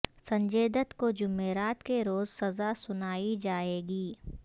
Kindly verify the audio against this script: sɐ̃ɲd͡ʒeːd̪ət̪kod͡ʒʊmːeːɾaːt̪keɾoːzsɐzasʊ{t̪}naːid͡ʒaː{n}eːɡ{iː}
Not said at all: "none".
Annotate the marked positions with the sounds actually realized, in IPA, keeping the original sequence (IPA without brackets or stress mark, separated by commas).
none, none, iː